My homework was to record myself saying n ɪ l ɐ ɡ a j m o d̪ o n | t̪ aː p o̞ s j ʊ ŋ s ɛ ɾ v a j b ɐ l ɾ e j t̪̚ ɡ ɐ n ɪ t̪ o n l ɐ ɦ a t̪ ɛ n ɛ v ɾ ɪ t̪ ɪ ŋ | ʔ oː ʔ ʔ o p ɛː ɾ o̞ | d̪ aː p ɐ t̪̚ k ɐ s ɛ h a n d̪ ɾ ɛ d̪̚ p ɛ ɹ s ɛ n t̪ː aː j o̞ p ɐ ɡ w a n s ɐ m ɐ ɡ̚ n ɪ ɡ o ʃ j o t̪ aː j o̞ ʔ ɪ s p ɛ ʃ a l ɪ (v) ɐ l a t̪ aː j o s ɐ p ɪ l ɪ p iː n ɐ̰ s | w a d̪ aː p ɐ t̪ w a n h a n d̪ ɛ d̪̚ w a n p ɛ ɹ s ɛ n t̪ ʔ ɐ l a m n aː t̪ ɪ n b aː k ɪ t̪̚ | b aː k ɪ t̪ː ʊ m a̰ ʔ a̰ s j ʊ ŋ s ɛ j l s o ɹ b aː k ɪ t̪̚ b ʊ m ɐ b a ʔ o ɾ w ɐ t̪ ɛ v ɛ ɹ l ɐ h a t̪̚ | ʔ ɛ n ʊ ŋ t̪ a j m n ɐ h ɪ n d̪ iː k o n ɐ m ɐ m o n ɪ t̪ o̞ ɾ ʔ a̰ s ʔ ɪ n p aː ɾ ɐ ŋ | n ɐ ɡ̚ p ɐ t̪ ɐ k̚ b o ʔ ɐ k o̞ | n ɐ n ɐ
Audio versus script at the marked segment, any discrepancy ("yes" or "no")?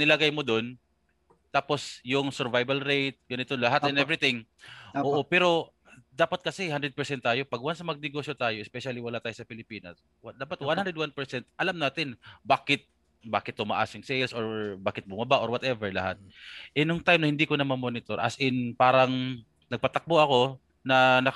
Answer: yes